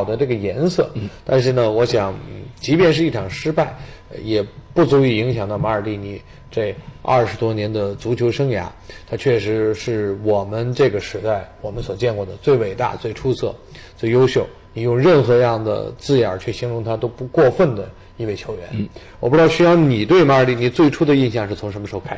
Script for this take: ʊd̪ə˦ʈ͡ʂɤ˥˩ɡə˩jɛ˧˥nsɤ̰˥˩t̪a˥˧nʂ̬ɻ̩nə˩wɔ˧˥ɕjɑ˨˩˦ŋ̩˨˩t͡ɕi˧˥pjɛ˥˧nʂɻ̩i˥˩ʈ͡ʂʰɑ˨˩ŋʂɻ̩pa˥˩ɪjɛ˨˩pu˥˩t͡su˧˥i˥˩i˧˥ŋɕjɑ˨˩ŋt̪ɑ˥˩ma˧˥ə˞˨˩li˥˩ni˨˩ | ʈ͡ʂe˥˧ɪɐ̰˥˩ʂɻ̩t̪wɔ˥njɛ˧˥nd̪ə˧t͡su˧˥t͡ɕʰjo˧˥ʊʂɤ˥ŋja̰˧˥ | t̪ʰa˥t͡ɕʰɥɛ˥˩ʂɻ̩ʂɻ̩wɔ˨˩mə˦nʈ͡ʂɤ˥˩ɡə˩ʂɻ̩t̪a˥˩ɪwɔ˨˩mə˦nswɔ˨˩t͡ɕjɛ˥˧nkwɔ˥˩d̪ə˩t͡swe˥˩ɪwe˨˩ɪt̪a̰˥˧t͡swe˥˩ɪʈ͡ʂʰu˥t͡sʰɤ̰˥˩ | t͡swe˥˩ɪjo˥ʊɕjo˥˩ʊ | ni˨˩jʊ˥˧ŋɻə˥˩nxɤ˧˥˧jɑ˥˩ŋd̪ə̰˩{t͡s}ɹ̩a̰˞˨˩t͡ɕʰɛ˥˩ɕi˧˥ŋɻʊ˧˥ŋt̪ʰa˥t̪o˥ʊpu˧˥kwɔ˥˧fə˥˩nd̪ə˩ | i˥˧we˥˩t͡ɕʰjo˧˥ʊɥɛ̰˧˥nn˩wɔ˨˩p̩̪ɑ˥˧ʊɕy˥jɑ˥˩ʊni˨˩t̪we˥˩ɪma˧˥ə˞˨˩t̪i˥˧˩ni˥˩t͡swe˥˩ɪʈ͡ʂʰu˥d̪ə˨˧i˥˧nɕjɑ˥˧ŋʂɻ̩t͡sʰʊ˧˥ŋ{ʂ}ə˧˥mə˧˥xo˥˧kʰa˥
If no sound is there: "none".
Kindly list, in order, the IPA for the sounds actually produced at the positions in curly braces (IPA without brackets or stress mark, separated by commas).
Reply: t͡s, ʂ